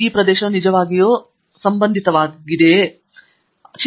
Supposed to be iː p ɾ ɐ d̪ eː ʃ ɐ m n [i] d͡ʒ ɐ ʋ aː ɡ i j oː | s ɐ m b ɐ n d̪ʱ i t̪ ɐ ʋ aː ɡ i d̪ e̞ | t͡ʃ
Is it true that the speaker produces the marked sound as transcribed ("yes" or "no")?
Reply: yes